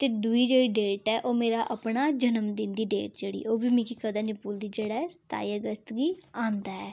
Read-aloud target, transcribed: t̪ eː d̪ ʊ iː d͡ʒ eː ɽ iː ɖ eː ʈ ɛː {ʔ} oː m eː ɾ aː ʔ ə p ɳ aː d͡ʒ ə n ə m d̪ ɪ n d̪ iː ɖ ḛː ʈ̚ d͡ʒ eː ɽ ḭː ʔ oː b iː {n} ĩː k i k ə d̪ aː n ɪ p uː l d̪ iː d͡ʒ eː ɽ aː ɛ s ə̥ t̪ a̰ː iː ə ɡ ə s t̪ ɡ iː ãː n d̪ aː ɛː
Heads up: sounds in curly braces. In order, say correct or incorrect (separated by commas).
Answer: correct, incorrect